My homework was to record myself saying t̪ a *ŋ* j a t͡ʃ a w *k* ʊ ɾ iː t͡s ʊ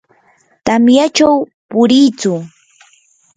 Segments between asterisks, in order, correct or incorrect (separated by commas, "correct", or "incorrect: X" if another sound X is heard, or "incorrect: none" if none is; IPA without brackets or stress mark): incorrect: m, incorrect: p